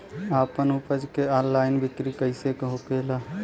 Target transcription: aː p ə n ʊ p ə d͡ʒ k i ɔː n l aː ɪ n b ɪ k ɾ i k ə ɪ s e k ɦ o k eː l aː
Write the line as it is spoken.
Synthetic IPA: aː p ə n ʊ p ə d͡ʒ k e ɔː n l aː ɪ n b ɪ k ɾ i k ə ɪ s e k ɦ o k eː l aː